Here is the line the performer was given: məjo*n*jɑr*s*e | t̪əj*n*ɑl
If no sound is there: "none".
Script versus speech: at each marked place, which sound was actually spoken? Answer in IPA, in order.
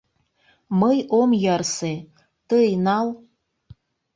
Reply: m, s, n

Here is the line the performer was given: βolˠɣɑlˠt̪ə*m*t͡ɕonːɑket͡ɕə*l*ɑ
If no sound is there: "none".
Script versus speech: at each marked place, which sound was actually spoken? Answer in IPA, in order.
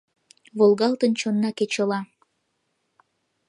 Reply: n, l

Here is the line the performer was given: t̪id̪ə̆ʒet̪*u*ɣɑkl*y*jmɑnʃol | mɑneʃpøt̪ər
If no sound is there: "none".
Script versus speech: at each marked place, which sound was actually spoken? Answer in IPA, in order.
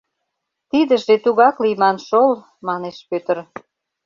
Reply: u, i

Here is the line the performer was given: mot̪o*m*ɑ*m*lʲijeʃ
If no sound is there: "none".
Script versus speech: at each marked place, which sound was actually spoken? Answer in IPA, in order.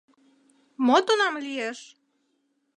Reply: n, m

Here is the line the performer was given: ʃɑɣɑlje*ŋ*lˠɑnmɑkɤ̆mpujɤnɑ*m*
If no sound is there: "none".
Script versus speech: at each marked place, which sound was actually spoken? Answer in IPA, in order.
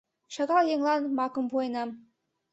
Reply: ŋ, m

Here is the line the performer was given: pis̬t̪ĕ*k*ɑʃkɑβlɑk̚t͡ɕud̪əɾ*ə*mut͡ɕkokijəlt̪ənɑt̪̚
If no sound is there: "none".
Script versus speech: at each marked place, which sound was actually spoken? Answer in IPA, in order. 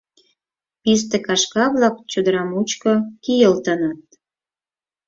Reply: k, ɑ

